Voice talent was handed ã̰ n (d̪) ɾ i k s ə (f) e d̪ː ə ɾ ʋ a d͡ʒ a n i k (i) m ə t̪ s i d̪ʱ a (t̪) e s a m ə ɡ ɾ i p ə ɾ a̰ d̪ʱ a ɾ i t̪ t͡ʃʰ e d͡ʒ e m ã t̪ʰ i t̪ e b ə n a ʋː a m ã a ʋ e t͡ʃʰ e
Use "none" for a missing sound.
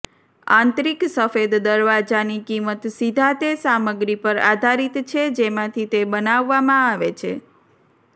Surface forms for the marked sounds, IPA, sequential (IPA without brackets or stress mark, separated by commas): t̪, f, i, t̪